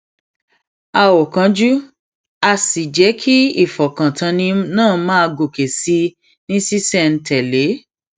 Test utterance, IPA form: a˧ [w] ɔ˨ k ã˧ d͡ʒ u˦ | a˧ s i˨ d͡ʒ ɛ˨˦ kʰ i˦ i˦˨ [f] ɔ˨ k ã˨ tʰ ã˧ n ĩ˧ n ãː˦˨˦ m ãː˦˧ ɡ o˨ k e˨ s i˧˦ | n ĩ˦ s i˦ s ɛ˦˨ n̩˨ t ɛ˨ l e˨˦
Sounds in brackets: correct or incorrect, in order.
correct, correct

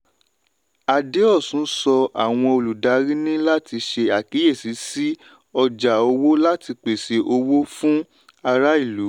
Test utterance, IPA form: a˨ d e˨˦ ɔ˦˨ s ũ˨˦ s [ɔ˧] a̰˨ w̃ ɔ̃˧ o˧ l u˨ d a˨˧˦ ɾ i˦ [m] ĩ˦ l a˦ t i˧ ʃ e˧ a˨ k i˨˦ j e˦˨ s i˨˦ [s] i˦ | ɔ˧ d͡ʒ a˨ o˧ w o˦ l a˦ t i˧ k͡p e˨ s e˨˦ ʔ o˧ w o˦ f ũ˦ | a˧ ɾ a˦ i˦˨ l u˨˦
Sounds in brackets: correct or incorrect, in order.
correct, incorrect: n, correct

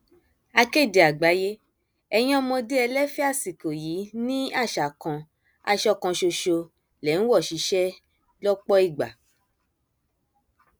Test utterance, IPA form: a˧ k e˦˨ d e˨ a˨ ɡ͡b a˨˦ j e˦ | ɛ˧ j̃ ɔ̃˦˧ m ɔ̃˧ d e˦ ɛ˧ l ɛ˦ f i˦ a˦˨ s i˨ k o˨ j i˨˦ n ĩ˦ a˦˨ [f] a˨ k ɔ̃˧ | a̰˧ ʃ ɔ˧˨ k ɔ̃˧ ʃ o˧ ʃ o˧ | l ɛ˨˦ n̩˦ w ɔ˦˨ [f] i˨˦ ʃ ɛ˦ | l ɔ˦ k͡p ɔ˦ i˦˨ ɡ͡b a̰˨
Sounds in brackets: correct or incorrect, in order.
incorrect: ʃ, incorrect: ʃ

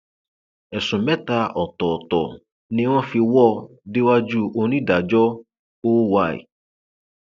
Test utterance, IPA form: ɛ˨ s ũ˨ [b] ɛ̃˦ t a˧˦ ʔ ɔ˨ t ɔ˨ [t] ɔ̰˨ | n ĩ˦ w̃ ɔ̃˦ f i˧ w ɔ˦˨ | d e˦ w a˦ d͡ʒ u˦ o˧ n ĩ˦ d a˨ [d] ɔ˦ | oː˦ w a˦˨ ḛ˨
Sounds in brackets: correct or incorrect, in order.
incorrect: m, correct, incorrect: d͡ʒ

